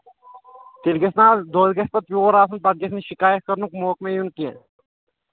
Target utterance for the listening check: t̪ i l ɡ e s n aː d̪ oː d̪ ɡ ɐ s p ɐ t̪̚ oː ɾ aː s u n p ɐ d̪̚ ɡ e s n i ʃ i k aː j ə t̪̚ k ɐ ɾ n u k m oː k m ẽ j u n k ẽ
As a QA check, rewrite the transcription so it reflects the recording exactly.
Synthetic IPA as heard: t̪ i l ɡ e s n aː d̪ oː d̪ ɡ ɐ s p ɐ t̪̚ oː ɾ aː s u n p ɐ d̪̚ ɡ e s n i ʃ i k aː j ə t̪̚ k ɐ ɾ n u k m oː k m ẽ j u n k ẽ